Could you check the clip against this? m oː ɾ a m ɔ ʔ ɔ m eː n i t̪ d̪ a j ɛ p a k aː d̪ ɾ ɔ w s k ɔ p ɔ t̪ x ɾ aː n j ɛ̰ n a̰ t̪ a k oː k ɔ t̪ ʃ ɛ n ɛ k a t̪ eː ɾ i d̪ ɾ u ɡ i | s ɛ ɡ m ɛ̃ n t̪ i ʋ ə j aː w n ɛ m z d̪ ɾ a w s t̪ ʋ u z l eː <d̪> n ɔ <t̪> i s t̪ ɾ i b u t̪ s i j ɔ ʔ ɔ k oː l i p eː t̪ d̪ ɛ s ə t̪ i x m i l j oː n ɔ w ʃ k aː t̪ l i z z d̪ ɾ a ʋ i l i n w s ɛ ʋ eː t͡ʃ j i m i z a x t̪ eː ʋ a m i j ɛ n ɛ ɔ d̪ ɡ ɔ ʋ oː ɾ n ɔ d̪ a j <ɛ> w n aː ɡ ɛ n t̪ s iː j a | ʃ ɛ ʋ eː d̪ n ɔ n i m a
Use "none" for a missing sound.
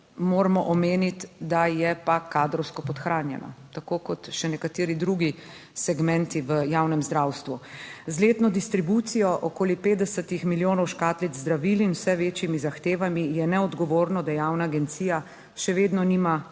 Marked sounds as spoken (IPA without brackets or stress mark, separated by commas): t̪, d̪, a